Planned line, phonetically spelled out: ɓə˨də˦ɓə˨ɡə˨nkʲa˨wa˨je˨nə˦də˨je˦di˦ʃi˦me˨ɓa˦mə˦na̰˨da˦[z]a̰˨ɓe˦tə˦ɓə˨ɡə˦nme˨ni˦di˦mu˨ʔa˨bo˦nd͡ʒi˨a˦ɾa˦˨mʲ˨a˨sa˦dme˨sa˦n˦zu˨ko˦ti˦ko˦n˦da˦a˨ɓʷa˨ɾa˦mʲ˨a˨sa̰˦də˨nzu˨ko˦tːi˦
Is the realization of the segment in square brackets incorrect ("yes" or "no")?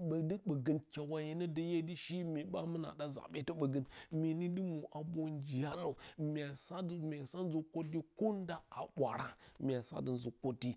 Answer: no